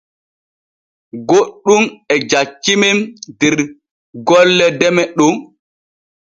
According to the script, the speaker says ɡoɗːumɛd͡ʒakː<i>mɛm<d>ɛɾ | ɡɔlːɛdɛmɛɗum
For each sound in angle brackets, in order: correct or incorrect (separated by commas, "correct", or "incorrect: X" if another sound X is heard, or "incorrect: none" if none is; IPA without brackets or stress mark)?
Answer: correct, correct